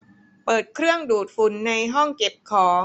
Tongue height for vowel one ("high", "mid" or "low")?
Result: mid